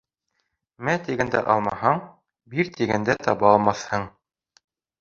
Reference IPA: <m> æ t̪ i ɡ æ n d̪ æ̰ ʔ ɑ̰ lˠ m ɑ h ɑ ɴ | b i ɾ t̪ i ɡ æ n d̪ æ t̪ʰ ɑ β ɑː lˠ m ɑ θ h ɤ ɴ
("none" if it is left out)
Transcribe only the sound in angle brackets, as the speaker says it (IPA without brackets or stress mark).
m